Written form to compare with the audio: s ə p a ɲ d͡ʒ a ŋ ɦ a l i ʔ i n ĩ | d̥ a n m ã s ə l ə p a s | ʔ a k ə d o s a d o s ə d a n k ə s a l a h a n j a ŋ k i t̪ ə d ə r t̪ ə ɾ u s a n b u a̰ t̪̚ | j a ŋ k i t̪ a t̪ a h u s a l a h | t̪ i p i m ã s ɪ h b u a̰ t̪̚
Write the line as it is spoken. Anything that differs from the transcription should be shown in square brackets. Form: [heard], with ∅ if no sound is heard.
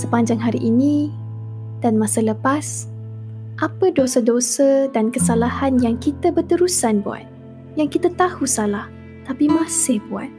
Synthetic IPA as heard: s ə p a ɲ d͡ʒ a ŋ ɦ a [ɾ] i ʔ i n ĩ | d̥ a n m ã s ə l ə p a s | ʔ a [p] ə d o s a d o s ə d a n k ə s a l a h a n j a ŋ k i t̪ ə [b] ə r t̪ ə ɾ u s a n b u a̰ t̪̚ | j a ŋ k i t̪ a t̪ a h u s a l a h | t̪ [a] p i m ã s ɪ h b u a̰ t̪̚